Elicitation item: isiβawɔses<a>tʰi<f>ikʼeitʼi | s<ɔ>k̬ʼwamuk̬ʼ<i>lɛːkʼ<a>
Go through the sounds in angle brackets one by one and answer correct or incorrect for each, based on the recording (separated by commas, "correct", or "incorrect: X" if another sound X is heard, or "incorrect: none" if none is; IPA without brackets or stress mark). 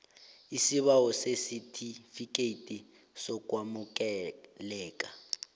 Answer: incorrect: i, correct, correct, incorrect: ɛ, correct